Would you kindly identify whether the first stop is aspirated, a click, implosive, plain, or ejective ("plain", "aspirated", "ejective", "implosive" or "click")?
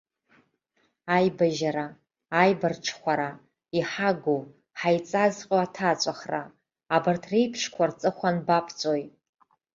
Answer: plain